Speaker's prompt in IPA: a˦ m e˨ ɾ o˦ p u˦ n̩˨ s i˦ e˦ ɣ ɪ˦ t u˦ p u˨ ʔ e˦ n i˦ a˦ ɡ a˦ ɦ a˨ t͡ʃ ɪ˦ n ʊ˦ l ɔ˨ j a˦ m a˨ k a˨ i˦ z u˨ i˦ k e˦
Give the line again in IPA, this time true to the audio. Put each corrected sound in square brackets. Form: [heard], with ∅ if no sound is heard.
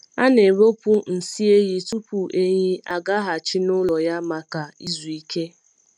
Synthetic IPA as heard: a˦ [n] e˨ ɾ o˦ p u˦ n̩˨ s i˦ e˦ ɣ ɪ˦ t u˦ p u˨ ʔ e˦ [ɲ] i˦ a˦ ɡ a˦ ɦ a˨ t͡ʃ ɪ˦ n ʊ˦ l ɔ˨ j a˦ m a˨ k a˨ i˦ z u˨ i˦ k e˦